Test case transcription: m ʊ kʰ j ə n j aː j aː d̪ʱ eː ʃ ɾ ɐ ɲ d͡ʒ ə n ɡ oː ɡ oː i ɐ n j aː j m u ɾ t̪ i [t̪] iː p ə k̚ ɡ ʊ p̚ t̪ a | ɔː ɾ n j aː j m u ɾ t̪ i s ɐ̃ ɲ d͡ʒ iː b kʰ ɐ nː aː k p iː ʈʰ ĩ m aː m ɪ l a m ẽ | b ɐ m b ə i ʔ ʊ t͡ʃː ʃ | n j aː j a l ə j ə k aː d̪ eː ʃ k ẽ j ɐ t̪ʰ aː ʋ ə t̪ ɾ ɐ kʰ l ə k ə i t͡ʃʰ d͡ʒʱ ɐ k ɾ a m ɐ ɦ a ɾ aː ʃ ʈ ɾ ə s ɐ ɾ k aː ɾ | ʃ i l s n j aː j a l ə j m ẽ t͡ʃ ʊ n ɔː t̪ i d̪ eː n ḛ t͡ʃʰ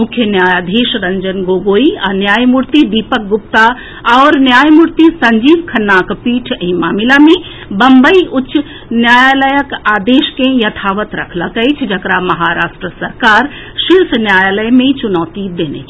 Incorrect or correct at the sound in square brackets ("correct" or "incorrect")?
incorrect